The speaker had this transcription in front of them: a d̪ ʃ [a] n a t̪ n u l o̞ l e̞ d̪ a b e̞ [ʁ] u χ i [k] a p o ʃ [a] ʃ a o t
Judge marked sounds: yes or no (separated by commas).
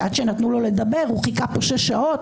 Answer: no, yes, yes, no